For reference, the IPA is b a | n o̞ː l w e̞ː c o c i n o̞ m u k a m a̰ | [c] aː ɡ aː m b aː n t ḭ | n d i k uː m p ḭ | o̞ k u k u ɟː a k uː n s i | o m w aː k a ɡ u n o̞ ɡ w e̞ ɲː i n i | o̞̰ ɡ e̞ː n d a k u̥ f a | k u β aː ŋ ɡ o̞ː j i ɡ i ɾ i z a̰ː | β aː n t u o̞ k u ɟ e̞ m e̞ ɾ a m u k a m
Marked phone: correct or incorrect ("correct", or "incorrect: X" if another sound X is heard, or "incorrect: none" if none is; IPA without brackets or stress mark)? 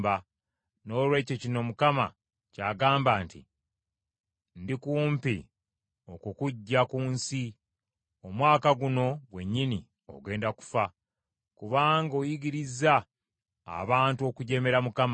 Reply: correct